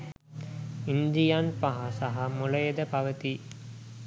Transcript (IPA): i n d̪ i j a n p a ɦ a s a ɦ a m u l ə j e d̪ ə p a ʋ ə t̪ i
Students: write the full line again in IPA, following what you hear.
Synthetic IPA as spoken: i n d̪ i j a n p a ɦ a s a ɦ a m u l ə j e d̪ ə p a ʋ ə t̪ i